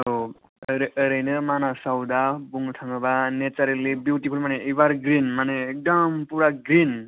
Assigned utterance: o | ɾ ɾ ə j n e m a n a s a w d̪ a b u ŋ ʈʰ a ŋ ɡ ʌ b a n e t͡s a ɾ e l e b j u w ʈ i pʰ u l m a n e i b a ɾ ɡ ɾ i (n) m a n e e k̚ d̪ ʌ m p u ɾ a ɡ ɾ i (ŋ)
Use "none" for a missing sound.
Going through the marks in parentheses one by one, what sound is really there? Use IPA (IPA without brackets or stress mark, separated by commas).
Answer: n, n